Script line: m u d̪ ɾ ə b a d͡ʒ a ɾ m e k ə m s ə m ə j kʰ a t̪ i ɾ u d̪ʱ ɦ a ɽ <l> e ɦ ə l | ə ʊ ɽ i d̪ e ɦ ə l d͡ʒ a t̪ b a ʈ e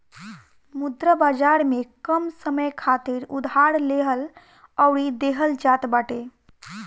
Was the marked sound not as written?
no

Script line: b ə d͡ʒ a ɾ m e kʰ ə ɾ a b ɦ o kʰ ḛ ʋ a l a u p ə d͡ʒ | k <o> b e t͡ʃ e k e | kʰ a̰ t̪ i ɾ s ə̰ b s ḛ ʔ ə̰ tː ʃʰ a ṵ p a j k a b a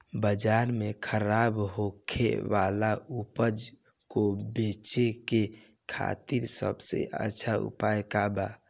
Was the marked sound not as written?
no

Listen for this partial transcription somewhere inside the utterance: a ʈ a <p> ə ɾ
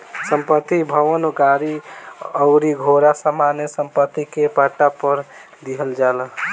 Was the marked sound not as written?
no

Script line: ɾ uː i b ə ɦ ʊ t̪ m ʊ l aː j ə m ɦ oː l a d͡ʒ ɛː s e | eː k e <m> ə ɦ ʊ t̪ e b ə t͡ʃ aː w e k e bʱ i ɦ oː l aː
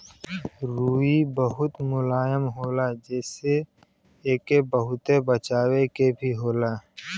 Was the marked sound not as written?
yes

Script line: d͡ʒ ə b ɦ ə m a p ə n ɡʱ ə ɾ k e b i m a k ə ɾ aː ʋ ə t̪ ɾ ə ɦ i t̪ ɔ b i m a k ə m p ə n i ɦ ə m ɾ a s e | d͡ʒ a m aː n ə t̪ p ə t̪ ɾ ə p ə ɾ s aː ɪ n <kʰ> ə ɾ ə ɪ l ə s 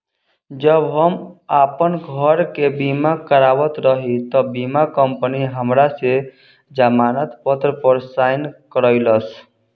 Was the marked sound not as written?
yes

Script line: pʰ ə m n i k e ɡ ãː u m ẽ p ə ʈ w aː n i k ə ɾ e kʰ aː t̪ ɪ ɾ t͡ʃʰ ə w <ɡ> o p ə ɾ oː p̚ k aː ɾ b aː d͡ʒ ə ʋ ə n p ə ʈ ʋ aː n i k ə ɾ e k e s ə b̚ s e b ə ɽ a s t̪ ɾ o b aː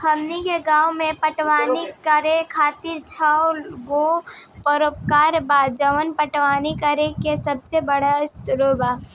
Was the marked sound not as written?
no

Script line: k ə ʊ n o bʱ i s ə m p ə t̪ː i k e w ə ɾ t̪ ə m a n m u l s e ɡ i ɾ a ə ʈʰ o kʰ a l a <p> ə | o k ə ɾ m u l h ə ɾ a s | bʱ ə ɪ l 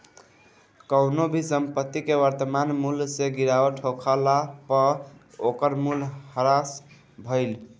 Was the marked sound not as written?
no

